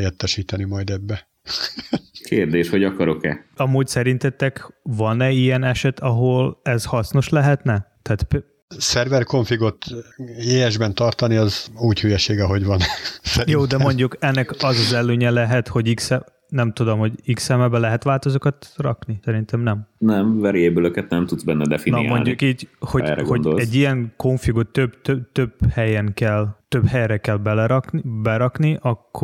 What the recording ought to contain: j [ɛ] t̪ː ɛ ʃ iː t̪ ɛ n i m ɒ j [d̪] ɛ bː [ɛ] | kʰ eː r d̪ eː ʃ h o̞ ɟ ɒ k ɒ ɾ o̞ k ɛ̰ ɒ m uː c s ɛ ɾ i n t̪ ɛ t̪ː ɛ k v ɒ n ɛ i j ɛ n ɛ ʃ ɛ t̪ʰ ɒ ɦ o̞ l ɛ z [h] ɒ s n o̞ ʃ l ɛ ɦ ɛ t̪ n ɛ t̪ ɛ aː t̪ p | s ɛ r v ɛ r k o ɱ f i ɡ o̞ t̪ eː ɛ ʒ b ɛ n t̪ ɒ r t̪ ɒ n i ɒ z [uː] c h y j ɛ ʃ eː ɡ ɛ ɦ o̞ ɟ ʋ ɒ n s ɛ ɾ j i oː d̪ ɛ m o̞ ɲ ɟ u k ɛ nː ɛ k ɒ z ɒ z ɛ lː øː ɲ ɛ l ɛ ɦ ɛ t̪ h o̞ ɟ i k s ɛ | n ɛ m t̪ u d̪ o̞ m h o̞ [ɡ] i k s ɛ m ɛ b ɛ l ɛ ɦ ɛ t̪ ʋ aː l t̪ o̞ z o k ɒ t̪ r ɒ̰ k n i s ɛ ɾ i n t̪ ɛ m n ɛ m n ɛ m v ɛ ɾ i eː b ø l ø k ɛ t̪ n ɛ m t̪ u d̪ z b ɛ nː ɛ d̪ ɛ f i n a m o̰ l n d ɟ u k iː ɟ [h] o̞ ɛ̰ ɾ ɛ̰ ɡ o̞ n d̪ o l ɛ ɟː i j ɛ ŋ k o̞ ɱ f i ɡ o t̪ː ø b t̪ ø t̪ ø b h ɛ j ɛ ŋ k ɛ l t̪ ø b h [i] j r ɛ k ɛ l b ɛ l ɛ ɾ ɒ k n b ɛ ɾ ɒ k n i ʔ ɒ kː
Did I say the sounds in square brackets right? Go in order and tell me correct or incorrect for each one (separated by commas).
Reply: correct, correct, correct, correct, correct, incorrect, correct, incorrect